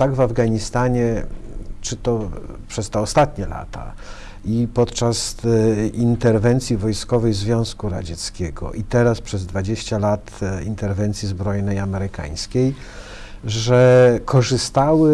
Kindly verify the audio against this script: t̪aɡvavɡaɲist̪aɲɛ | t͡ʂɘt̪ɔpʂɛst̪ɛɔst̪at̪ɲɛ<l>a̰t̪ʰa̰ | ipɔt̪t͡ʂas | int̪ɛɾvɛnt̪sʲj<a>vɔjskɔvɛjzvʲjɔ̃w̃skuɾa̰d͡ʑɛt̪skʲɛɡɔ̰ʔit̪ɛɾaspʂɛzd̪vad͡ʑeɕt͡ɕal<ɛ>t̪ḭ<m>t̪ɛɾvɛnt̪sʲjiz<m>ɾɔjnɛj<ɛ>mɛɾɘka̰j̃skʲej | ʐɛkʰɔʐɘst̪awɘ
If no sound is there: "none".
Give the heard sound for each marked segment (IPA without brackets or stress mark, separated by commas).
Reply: l, i, a, n, b, a